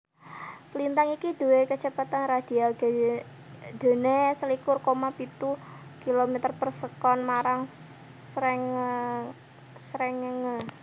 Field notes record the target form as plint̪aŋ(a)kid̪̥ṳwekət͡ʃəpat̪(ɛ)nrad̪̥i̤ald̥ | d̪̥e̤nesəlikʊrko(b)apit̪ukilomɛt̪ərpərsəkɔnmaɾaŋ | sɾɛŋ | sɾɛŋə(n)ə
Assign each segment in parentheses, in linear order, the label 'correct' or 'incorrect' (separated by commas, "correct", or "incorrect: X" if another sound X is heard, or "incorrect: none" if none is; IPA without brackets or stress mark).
incorrect: i, incorrect: a, incorrect: m, incorrect: ŋ